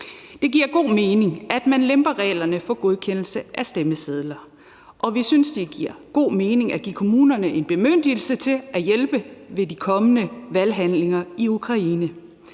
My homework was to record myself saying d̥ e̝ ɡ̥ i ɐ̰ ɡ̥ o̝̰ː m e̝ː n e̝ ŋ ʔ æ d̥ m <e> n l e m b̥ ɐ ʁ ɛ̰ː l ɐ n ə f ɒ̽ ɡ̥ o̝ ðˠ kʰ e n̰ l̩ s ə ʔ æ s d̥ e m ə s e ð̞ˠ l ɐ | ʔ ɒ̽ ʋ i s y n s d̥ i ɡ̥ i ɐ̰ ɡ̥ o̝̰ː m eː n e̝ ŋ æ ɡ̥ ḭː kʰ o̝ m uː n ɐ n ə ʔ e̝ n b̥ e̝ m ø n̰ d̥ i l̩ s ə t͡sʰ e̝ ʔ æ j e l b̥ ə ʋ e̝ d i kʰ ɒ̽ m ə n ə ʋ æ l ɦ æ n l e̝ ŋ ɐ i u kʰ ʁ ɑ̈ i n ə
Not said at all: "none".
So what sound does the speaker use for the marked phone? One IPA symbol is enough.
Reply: æ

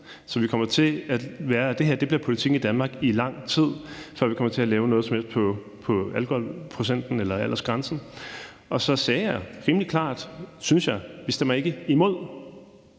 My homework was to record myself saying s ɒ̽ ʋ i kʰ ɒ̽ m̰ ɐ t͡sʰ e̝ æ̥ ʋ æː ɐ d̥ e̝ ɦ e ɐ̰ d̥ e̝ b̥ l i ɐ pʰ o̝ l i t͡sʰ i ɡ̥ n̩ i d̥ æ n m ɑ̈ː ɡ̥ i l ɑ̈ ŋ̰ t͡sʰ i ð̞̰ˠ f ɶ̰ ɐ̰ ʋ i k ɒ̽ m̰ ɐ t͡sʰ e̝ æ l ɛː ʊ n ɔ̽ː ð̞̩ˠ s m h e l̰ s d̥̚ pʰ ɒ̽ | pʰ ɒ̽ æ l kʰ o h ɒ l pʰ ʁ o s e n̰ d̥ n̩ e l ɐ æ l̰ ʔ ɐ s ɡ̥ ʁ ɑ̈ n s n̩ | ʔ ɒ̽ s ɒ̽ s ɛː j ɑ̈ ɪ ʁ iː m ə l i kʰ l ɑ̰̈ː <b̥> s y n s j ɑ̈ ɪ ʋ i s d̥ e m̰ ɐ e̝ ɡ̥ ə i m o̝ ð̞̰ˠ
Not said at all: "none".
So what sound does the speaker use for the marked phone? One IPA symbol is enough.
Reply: d̥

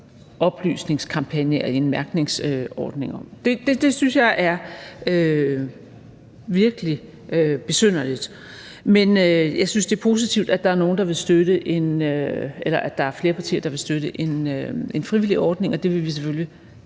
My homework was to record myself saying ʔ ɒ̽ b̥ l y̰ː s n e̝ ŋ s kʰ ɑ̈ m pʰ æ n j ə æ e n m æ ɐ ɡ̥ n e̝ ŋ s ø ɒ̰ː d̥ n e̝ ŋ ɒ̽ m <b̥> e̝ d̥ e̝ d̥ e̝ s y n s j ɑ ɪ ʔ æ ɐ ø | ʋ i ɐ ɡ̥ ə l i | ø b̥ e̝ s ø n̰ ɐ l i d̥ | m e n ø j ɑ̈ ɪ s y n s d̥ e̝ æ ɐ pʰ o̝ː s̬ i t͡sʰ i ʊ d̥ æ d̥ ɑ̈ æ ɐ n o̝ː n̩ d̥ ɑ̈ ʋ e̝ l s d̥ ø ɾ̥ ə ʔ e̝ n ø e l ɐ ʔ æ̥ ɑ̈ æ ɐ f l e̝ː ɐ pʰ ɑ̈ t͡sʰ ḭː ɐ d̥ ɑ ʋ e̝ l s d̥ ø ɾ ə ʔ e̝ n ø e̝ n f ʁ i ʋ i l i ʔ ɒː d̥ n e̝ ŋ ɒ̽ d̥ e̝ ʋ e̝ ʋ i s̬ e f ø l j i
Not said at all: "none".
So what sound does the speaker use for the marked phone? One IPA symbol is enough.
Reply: d̥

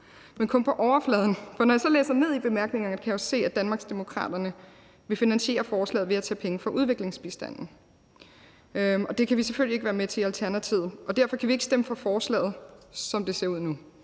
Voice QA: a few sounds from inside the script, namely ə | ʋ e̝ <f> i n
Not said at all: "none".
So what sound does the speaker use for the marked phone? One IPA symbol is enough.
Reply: f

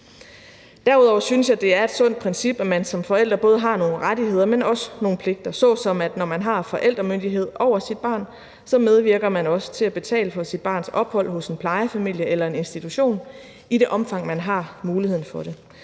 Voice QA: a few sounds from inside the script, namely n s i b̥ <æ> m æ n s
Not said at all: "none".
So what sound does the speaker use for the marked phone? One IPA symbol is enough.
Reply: æ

